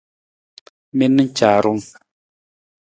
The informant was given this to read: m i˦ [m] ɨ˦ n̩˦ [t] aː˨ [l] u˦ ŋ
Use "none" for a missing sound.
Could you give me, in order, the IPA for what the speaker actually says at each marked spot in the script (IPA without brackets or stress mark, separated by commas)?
n, t͡ʃ, ɾ